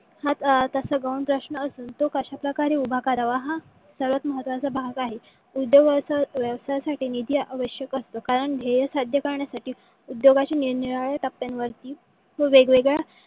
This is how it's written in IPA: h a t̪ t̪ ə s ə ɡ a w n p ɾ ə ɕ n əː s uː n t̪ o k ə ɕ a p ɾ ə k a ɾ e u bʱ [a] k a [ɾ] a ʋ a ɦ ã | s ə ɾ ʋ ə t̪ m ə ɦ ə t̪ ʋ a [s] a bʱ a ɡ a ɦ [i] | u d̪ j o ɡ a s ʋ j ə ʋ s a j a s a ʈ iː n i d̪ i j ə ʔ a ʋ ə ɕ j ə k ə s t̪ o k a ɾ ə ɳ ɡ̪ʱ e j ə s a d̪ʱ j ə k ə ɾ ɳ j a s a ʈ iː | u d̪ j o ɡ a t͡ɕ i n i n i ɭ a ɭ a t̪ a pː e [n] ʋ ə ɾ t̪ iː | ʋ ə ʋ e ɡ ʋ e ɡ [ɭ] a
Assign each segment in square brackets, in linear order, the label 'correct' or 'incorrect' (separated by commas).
correct, correct, incorrect, incorrect, correct, correct